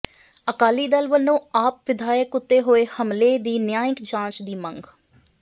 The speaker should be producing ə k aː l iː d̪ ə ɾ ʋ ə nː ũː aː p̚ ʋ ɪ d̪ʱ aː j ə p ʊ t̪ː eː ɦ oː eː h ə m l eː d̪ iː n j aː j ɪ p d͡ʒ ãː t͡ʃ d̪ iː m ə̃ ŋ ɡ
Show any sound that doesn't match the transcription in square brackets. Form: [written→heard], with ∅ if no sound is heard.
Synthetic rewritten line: ə k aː l iː d̪ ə [ɾ→l] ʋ ə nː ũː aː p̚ ʋ ɪ d̪ʱ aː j ə [p→k] ʊ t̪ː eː ɦ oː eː h ə m l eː d̪ iː n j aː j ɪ [p→k] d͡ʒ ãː t͡ʃ d̪ iː m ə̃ ŋ ɡ